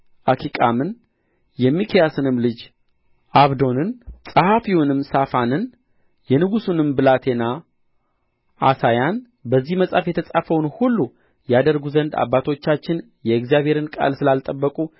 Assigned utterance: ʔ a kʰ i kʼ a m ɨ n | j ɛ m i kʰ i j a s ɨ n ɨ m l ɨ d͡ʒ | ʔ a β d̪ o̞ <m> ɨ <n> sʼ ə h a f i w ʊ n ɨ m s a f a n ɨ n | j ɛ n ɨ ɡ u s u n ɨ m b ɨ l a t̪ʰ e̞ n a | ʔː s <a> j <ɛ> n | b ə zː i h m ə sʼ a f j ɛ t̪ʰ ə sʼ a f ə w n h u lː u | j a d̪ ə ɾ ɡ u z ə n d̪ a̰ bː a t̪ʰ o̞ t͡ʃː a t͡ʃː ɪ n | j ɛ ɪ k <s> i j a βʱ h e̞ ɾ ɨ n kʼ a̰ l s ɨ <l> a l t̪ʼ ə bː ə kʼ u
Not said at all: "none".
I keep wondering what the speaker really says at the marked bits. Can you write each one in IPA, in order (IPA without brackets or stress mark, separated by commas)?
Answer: n, n, a, a, z, l